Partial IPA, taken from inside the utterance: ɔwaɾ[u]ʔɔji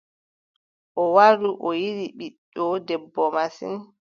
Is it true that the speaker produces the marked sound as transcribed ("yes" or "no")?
yes